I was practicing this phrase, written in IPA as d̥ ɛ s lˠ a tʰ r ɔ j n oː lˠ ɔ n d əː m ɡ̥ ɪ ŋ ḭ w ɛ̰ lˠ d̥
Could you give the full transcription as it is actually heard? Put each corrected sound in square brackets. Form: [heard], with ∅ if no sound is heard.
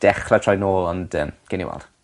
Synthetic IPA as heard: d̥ ɛ [χ] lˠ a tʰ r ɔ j n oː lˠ ɔ n d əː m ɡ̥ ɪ [n] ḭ w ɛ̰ lˠ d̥

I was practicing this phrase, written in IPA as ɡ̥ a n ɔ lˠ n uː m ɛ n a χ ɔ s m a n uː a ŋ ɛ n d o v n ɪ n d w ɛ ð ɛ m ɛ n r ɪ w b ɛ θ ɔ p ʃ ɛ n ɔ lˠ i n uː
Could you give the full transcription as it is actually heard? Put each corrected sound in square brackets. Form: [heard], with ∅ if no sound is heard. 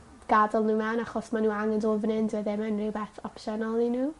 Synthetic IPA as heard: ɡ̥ a [d] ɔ lˠ n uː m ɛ n a χ ɔ s m a n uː a ŋ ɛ n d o v n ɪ n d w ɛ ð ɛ m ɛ n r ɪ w b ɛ θ ɔ p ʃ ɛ n ɔ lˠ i n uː

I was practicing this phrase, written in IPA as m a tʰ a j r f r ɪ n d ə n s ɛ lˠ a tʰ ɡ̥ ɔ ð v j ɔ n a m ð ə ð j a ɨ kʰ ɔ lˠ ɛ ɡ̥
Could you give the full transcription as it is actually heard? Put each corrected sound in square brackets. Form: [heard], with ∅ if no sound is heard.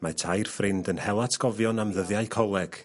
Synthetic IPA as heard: m a tʰ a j r f r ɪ n d ə n [h] ɛ lˠ a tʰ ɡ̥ ɔ [∅] v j ɔ n a m ð ə ð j a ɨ kʰ ɔ lˠ ɛ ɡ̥

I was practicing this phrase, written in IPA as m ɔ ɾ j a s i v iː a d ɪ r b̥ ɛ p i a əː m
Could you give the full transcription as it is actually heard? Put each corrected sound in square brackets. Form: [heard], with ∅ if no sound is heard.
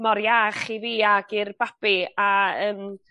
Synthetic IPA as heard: m ɔ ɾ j a [χ] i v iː a [ɡ] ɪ r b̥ [a] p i a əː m

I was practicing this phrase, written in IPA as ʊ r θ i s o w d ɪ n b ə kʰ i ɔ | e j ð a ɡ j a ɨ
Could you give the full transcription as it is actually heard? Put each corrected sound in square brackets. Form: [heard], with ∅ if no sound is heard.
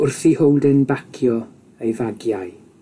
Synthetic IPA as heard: ʊ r θ i [h] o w d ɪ n b [a] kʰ [j] ɔ | e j [v] a ɡ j a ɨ

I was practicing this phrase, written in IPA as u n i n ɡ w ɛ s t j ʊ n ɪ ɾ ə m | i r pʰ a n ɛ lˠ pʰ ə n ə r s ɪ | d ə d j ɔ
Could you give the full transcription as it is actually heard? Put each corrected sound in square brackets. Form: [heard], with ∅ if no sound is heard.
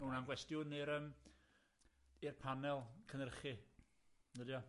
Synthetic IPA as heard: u n [a] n ɡ w ɛ s t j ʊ n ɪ ɾ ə m | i r pʰ a n ɛ lˠ [kʰ] ə n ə r [χ] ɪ | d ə d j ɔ

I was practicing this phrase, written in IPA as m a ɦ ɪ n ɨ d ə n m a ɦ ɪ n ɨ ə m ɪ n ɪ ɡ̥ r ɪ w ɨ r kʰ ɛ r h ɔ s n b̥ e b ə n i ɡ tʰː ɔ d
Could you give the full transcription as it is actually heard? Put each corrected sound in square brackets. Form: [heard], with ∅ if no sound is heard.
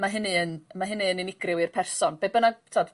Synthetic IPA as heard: m a ɦ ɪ n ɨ [∅] ə n m a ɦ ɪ n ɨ ə [n] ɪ n ɪ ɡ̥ r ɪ w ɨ r [pʰ] ɛ r [s] ɔ [∅] n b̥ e b ə n [a] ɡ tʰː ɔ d

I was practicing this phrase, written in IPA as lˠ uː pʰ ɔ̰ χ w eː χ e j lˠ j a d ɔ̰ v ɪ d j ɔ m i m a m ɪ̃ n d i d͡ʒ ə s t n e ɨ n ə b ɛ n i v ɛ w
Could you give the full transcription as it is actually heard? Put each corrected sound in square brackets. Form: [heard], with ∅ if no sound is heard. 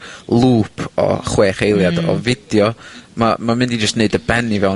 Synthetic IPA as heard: lˠ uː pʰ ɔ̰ χ w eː χ e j lˠ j a d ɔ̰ v ɪ d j ɔ m [a] m a m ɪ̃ n d i d͡ʒ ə s t n e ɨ [d] ə b ɛ n i v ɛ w

